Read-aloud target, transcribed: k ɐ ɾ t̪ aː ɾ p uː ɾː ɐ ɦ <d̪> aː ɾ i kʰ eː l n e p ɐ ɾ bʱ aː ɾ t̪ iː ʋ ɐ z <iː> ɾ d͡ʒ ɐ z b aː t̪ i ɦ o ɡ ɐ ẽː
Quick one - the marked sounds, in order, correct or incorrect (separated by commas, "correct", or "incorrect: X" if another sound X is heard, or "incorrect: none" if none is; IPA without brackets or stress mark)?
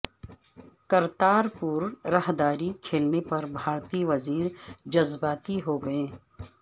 correct, correct